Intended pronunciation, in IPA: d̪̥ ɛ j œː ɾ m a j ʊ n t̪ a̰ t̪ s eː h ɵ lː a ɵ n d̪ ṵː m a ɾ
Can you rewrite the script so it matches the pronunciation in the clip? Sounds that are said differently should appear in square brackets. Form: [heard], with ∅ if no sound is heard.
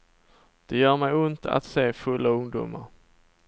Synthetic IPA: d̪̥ ɛ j œː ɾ m [ɛ] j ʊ n t̪ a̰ t̪ s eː [f] ɵ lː a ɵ [ŋ] d̪ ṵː m a ɾ